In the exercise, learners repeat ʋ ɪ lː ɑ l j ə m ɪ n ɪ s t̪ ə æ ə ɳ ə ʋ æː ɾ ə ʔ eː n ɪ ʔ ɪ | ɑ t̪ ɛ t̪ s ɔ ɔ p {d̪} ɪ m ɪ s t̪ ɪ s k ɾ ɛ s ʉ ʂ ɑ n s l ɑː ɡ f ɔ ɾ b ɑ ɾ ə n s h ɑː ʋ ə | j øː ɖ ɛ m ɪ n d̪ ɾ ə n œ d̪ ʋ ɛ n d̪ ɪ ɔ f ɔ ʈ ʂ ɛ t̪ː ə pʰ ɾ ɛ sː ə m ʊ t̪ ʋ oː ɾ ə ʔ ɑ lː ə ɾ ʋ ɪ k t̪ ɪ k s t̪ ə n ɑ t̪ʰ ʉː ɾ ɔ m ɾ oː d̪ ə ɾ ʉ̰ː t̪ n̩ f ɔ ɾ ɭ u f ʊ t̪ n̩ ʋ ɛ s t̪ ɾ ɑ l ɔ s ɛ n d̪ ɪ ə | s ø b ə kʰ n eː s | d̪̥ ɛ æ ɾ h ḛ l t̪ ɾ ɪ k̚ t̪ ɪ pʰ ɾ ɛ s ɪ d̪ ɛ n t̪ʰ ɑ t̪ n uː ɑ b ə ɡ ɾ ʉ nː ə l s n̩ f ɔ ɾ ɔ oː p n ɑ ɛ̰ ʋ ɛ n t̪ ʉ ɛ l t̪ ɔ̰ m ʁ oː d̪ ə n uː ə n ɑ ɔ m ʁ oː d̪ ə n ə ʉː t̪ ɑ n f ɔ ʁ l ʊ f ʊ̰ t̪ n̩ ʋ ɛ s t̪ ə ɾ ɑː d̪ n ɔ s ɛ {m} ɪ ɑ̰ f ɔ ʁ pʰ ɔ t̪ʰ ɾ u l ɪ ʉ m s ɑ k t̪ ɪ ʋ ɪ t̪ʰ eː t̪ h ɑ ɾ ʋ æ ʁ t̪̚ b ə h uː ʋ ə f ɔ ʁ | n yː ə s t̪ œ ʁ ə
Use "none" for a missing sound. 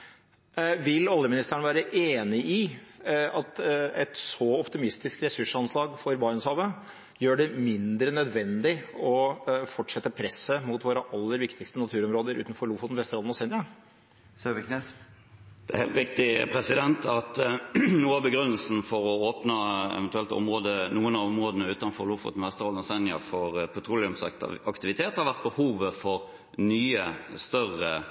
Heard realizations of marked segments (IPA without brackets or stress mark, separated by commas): t̪, n